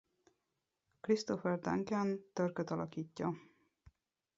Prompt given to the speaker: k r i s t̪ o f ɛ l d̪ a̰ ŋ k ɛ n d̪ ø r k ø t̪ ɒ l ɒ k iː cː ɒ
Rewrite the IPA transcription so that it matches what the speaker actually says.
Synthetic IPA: k r i s t̪ o f ɛ r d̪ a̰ ŋ k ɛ n t̪ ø r k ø t̪ ɒ l ɒ k iː cː ɒ